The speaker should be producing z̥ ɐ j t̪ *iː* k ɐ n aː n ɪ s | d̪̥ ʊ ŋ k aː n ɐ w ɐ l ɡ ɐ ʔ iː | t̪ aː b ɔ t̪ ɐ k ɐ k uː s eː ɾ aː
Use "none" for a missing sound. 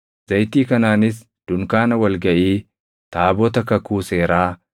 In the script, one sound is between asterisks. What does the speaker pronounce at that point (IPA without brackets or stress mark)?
iː